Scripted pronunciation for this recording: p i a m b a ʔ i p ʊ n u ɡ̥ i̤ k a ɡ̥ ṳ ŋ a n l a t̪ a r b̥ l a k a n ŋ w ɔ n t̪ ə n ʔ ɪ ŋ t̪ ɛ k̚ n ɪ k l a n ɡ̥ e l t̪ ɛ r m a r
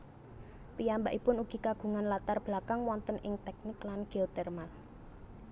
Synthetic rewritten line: p i a m b a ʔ i p ʊ n u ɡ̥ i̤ k a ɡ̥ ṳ ŋ a n l a t̪ a r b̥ l a k a ŋ w ɔ n t̪ ə n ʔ ɪ ŋ t̪ ɛ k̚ n ɪ k l a n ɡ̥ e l t̪ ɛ r m a l